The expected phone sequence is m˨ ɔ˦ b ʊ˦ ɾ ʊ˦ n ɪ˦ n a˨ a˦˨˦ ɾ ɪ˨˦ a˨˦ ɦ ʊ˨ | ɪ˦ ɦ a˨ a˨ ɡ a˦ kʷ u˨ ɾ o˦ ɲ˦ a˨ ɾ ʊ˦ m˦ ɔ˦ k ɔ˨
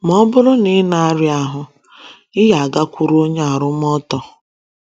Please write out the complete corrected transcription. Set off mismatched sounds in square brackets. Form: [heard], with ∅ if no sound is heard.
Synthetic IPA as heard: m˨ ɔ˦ b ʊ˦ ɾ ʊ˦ n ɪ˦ n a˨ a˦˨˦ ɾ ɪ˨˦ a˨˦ ɦ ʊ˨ | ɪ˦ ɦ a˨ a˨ ɡ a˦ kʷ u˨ ɾ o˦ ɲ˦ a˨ ɾ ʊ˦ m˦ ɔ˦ [t] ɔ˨